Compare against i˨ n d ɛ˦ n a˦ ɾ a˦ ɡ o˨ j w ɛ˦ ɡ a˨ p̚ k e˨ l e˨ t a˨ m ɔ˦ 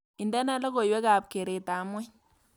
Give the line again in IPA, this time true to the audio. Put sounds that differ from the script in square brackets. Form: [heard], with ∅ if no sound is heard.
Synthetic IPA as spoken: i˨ n d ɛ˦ n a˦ [l] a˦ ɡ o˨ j w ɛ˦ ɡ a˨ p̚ k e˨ [ɾ] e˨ t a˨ m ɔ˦